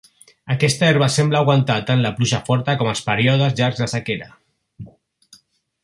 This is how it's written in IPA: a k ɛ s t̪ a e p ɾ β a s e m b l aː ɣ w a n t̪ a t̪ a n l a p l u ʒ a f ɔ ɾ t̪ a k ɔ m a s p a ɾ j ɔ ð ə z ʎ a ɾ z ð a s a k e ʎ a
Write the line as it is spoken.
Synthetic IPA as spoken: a k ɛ s t̪ a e ɾ β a s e m b l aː ɣ w a n t̪ a t̪ a n l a p l u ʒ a f ɔ ɾ t̪ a k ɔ m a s p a ɾ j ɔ ð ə z ʎ a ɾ z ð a s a k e ɾ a